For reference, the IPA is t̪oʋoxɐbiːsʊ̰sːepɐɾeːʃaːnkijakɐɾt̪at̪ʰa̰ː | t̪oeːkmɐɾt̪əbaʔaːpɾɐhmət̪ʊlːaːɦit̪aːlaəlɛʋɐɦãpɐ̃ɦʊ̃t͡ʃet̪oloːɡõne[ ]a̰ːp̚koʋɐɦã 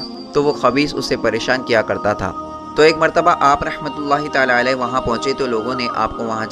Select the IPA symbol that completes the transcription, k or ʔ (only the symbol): ʔ